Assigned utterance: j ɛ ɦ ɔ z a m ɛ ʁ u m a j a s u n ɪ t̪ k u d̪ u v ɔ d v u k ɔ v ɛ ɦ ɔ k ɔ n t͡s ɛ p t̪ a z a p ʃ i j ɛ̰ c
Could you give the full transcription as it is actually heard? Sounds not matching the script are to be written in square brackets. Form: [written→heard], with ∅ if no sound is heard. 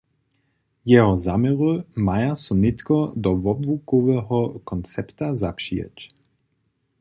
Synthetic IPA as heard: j ɛ ɦ ɔ z a m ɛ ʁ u m a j a s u n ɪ t̪ k [u→ɔ] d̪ [u→ɔ] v ɔ [d→b] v u k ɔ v ɛ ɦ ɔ k ɔ n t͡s ɛ p t̪ a z a p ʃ i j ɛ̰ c

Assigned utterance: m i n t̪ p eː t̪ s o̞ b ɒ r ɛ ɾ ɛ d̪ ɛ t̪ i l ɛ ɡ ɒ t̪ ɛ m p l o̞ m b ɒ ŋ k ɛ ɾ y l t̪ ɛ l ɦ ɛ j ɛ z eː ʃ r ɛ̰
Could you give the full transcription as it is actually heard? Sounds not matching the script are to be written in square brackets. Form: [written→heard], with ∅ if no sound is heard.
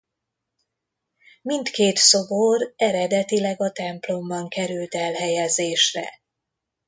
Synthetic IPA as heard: m i n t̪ [p→k] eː t̪ s o̞ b [ɒ→o] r ɛ ɾ ɛ d̪ ɛ t̪ i l ɛ ɡ ɒ t̪ ɛ m p l o̞ m b ɒ ŋ k ɛ ɾ y l t̪ ɛ l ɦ ɛ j ɛ z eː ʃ r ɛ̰

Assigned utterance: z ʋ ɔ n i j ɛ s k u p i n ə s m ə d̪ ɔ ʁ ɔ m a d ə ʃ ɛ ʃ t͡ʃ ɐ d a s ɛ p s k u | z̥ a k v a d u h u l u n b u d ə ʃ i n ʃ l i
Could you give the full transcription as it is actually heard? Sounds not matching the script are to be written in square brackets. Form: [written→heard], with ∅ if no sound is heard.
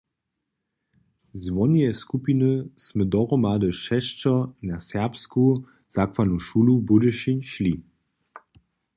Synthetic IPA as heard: z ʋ ɔ n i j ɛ s k u p i n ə s m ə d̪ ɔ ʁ ɔ m a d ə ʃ ɛ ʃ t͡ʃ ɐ [d→n] a s ɛ p s k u | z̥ a k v a [d→n] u [h→ʃ] u l u [n→∅] b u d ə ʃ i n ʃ l i

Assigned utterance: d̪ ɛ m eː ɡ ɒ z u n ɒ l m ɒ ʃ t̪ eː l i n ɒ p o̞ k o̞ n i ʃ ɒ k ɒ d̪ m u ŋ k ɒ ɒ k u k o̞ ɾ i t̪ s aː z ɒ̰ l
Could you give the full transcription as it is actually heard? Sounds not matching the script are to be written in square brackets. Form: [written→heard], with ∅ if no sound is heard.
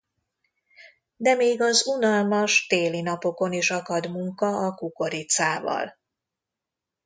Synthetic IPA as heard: d̪ ɛ m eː ɡ ɒ z u n ɒ l m ɒ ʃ t̪ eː l i n ɒ p o̞ k o̞ n i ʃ ɒ k ɒ d̪ m u ŋ k ɒ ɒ k u k o̞ ɾ i t̪ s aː [z→v] ɒ̰ l

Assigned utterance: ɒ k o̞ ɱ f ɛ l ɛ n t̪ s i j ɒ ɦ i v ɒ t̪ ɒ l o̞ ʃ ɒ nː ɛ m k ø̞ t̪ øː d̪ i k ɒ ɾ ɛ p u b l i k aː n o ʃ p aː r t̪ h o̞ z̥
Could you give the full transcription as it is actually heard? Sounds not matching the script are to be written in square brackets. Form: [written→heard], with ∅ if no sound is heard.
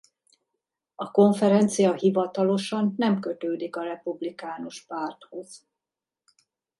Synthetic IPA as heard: ɒ k o̞ ɱ f ɛ [l→ɾ] ɛ n t̪ s i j ɒ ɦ i v ɒ t̪ ɒ l o̞ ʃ ɒ nː ɛ m k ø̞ t̪ øː d̪ i k ɒ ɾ ɛ p u b l i k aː n o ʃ p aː r t̪ h o̞ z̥

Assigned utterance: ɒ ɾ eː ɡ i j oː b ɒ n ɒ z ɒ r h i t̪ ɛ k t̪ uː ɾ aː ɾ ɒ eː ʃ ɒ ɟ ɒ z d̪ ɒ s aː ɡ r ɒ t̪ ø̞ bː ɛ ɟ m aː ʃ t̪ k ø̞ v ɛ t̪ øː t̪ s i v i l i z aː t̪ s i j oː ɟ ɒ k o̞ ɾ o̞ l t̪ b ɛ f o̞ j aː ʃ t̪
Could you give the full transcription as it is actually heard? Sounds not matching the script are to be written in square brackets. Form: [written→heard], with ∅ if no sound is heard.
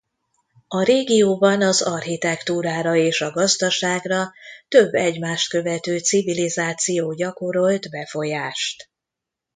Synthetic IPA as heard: ɒ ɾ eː ɡ i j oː b ɒ n ɒ z ɒ r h i t̪ ɛ k t̪ uː ɾ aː ɾ ɒ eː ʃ ɒ [ɟ→ɡ] ɒ z d̪ ɒ [s→ʃ] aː ɡ r ɒ t̪ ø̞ bː ɛ ɟ m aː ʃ t̪ k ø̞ v ɛ t̪ øː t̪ s i v i l i z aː t̪ s i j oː ɟ ɒ k o̞ ɾ o̞ l t̪ b ɛ f o̞ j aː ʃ t̪

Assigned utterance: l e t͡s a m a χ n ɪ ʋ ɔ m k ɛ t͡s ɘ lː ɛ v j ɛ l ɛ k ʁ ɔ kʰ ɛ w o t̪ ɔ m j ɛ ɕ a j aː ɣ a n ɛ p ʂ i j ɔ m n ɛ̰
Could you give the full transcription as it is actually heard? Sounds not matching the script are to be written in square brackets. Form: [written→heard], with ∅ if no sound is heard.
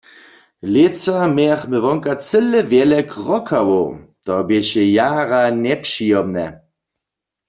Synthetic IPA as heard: l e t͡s a m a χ [n→m] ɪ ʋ ɔ [m→ŋ] k [ɛ→a] t͡s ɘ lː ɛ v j ɛ l ɛ k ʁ ɔ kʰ [ɛ→a] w o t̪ ɔ [m→b] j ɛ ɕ [a→ɛ] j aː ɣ a n ɛ p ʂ i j ɔ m n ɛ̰

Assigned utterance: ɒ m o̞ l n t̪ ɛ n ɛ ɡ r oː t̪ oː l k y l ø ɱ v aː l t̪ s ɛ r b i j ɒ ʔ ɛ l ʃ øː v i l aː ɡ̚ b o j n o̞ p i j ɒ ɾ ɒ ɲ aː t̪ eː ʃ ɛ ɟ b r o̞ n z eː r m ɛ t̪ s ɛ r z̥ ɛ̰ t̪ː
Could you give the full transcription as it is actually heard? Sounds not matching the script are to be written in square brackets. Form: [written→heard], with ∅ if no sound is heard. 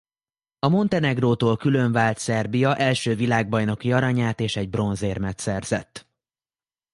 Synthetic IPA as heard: ɒ m o̞ [l→∅] n t̪ ɛ n ɛ ɡ r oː t̪ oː l k y l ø ɱ v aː l t̪ s ɛ r b i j ɒ ʔ ɛ l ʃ øː v i l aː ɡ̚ b [o→ɒ] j n o̞ [p→k] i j ɒ ɾ ɒ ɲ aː t̪ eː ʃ ɛ ɟ b r o̞ n z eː r m ɛ t̪ s ɛ r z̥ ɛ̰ t̪ː

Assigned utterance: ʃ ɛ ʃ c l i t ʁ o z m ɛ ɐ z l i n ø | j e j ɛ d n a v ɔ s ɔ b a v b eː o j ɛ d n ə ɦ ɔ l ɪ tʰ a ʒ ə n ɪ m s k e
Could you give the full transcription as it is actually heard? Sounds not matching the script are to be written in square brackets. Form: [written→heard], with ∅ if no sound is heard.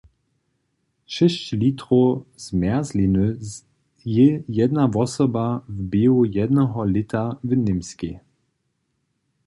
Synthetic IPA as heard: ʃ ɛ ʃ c l i t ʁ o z m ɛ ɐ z l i n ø | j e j ɛ d n a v ɔ s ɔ b a v b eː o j ɛ d n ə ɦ ɔ l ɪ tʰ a [ʒ→v] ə n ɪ m s k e

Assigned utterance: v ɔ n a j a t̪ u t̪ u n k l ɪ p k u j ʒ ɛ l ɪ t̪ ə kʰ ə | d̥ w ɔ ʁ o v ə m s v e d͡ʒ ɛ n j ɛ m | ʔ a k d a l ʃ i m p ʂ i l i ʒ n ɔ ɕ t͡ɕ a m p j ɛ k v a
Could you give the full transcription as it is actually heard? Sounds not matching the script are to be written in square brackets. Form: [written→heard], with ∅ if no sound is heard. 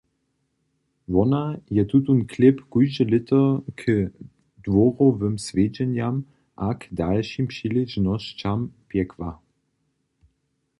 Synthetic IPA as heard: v ɔ n a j [a→ɛ] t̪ u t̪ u n k l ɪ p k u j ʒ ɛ l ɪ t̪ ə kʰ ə | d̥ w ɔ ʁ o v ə m s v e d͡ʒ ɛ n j [ɛ→a] m | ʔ a k d a l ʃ i m p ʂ i l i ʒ n ɔ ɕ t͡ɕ a m p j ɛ k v a

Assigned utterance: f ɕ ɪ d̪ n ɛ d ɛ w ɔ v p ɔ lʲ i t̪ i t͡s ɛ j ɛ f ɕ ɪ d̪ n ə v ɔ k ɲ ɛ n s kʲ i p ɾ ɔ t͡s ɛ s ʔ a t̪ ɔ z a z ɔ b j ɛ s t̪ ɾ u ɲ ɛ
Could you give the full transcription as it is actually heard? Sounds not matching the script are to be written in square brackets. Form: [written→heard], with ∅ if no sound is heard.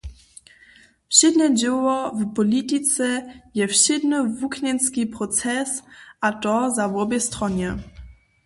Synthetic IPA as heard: f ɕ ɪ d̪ n ɛ [d→d͡ʑ] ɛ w ɔ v p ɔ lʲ i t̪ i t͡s ɛ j ɛ f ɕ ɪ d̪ n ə v [ɔ→u] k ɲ ɛ n s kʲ i p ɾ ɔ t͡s ɛ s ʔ a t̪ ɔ z a [z→v] ɔ b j ɛ s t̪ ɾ [u→ɔ] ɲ ɛ

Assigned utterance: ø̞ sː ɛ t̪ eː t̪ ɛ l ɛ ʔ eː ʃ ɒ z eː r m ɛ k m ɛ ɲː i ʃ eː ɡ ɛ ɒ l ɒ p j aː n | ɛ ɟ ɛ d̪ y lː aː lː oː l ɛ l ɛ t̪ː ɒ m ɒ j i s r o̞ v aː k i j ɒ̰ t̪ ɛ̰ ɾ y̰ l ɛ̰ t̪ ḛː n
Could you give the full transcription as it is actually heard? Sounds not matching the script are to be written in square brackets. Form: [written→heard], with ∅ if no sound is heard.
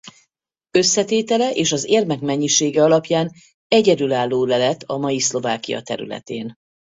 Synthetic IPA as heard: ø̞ sː ɛ t̪ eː t̪ ɛ l ɛ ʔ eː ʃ ɒ z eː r m ɛ k m ɛ ɲː i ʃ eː ɡ ɛ ɒ l ɒ p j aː n | ɛ ɟ ɛ d̪ y [lː→l] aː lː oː l ɛ l ɛ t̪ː ɒ m ɒ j i s [r→l] o̞ v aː k i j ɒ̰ t̪ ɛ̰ ɾ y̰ l ɛ̰ t̪ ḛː n

